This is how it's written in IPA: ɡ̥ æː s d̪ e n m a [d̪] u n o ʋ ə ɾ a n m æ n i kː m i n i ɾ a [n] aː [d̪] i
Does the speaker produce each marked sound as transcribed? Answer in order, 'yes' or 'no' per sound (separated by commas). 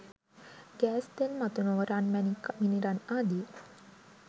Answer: no, yes, yes